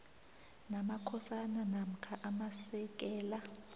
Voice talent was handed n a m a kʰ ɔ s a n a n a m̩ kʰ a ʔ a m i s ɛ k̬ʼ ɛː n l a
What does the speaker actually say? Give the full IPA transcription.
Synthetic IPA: n a m a kʰ ɔ s a n a n a m̩ kʰ a ʔ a m a s ɛ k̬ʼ ɛː l a